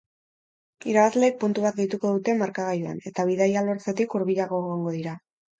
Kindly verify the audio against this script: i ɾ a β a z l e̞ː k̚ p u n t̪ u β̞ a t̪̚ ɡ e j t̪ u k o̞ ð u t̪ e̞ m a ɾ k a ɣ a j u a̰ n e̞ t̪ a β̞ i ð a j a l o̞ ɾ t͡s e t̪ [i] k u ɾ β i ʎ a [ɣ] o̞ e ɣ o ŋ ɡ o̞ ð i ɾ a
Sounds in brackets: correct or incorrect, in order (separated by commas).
correct, correct